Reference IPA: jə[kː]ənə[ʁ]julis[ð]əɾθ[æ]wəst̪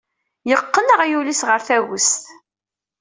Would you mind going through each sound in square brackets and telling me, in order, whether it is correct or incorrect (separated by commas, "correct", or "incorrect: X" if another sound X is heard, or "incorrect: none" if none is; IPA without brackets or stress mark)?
incorrect: qː, correct, incorrect: ʁ, correct